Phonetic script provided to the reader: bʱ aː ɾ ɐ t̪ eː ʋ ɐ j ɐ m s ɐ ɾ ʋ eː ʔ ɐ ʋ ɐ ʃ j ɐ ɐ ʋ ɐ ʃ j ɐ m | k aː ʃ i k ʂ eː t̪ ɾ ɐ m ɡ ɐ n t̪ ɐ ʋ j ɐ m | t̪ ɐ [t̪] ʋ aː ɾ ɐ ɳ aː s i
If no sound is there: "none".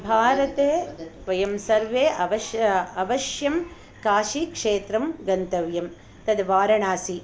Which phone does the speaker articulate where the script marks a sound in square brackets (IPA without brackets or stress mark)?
d̪